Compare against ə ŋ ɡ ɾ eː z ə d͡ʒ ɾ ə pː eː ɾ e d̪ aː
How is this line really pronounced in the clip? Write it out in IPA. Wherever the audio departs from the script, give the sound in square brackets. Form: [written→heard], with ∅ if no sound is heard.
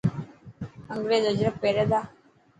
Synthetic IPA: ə ŋ ɡ ɾ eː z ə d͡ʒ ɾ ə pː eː ɾ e d̪ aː